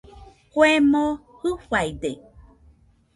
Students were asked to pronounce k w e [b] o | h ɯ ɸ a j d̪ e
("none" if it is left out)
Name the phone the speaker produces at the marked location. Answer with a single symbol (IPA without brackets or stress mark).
m